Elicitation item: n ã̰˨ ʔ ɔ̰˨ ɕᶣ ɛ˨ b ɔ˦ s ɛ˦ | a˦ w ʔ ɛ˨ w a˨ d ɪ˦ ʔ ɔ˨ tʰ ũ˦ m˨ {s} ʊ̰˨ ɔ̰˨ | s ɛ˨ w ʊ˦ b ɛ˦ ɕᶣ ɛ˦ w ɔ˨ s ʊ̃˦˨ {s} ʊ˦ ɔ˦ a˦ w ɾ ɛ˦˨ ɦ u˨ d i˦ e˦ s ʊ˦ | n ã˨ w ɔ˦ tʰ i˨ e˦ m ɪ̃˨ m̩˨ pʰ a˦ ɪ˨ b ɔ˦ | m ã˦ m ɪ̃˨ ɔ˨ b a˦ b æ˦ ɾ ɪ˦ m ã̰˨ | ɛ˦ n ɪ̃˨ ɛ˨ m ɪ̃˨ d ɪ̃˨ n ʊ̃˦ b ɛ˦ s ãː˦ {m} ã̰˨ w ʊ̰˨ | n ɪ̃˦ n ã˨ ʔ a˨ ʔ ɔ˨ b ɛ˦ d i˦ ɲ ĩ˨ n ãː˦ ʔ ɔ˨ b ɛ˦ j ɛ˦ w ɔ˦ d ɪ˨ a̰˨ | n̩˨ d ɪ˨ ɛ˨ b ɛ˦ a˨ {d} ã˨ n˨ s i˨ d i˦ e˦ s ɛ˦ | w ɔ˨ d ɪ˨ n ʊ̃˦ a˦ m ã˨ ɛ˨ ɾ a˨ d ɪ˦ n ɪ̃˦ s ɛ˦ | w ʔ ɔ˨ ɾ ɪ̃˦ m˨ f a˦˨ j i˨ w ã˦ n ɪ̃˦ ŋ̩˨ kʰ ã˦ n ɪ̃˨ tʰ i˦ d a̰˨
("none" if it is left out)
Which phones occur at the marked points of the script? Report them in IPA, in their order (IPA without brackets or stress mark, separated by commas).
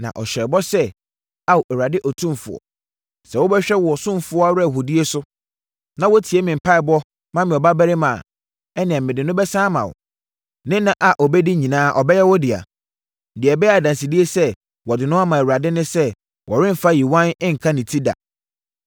f, f, m, d